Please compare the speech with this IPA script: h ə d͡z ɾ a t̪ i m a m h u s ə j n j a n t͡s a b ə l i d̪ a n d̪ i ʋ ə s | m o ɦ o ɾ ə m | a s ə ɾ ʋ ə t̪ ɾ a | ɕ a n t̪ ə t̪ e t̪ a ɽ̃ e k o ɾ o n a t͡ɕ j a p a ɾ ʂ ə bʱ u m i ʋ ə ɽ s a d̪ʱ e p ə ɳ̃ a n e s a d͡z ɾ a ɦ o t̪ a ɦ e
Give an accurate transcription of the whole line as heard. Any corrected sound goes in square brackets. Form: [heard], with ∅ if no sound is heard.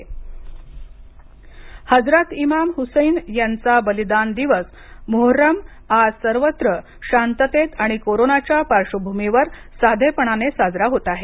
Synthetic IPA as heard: h ə d͡z ɾ a t̪ i m a m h u s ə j n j a n t͡s a b ə l i d̪ a n d̪ i ʋ ə s | m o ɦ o ɾ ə m | a s ə ɾ ʋ ə t̪ ɾ [ə] | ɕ a n t̪ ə t̪ e t̪ a ɽ̃ [i] k o ɾ o n a t͡ɕ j a p a ɾ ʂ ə bʱ u m i ʋ ə [ɾ] s a d̪ʱ e p ə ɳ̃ a n e s a d͡z ɾ a ɦ o t̪ a ɦ e